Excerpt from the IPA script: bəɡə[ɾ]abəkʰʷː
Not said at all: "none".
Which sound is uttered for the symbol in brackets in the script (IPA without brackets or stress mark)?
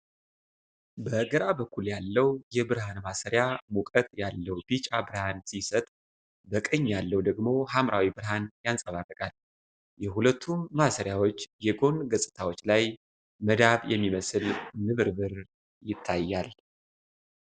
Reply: ɾ